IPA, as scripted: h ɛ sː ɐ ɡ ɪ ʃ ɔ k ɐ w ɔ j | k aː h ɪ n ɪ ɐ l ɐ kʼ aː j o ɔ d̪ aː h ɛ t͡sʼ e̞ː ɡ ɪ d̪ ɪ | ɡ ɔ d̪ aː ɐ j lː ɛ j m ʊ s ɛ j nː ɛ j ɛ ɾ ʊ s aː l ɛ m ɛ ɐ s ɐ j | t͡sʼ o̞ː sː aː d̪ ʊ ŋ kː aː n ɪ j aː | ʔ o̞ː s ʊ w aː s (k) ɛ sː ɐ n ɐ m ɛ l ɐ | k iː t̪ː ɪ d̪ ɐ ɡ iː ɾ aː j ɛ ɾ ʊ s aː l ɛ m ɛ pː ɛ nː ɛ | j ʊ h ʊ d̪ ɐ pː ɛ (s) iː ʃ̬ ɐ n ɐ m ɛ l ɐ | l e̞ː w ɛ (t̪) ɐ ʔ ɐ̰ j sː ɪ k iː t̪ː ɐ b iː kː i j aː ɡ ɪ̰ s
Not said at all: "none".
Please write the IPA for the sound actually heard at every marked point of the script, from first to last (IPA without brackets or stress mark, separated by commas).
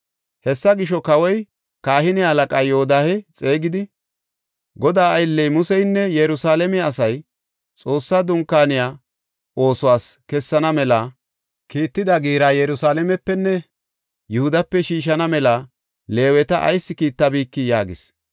k, ʃ, t̪